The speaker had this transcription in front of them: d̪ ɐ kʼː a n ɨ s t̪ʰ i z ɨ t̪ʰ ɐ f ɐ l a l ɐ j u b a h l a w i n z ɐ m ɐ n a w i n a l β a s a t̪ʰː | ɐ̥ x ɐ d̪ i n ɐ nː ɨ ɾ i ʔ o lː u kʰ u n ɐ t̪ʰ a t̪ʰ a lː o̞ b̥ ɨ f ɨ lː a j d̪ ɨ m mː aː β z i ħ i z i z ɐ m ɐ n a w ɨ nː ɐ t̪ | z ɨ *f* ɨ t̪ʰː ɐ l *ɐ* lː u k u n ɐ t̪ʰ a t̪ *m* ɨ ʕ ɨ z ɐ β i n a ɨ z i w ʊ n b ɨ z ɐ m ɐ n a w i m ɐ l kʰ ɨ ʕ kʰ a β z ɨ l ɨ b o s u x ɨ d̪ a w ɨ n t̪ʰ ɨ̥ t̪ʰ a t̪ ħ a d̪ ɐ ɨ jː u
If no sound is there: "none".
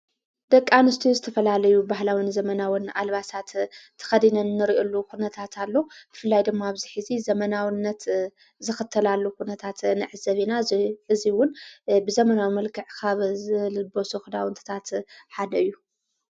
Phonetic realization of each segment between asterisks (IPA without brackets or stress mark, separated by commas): x, a, n